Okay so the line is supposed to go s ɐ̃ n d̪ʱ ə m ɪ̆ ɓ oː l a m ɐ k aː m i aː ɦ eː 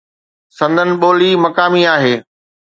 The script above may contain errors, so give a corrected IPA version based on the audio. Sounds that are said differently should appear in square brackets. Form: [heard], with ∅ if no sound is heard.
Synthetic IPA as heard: s ɐ̃ n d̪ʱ ə [n] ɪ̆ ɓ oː l [i] m ɐ k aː m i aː ɦ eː